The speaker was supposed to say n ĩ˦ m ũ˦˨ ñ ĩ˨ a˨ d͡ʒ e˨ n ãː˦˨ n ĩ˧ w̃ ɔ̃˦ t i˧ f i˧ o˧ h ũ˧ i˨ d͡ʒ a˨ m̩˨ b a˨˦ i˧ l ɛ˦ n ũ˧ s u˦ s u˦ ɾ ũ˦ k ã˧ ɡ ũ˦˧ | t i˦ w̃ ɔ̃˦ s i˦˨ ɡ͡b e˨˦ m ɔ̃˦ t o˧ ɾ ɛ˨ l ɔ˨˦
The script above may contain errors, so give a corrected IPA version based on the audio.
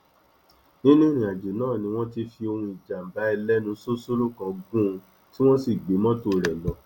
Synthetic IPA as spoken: n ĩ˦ n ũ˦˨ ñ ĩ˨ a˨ d͡ʒ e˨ n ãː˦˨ n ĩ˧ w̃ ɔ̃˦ t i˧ f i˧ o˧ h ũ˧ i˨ d͡ʒ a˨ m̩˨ b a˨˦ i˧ l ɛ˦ n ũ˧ s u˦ s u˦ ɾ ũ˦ k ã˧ ɡ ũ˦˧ | t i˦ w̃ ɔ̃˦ s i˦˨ ɡ͡b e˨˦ m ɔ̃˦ t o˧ ɾ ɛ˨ l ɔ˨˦